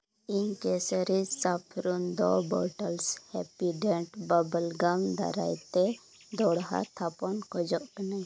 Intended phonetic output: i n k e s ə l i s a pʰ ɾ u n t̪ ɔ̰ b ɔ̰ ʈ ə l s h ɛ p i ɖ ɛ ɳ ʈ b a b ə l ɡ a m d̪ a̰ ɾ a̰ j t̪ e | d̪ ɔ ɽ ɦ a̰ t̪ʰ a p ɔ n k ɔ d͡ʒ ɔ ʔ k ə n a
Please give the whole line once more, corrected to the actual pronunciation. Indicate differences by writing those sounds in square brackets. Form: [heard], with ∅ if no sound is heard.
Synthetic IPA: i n k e s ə [ɾ] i s a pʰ ɾ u n [d̪] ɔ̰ b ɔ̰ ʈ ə l s h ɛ p i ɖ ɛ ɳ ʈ b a b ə l ɡ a m d̪ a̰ ɾ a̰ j t̪ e | d̪ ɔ ɽ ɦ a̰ t̪ʰ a p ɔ n k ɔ d͡ʒ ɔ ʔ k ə n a